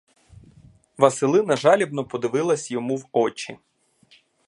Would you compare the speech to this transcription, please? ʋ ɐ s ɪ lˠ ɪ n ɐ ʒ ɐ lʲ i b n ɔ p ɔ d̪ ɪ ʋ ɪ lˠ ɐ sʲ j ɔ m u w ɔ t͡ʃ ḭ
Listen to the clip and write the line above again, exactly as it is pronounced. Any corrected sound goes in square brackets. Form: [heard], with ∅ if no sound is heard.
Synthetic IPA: ʋ ɐ s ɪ lˠ ɪ n ɐ ʒ [ɑ] lʲ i b n ɔ p ɔ d̪ ɪ ʋ ɪ lˠ ɐ sʲ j ɔ m u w ɔ t͡ʃ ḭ